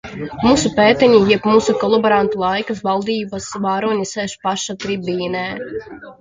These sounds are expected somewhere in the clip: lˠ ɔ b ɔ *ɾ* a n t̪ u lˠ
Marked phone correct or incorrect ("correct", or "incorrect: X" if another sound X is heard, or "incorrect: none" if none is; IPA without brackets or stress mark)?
correct